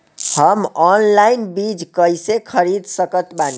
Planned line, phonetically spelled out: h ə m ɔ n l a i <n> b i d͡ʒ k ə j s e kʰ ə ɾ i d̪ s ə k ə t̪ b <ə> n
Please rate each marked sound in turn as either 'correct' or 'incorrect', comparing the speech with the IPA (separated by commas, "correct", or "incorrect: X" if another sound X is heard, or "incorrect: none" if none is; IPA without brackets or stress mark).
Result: correct, incorrect: a